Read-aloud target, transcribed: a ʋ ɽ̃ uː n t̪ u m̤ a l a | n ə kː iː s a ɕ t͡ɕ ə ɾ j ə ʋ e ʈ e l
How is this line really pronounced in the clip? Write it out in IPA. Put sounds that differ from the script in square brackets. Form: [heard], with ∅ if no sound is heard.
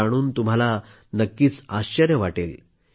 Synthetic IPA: a [∅] ɽ̃ uː n t̪ u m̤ a l a | n ə kː iː [t͡s] a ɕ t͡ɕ ə ɾ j ə ʋ [a] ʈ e l